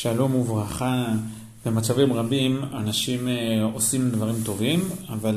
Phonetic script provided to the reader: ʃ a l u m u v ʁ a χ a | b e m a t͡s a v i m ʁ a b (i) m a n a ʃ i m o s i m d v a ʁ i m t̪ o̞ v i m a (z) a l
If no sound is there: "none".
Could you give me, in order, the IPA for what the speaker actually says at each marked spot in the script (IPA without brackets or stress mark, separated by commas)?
i, v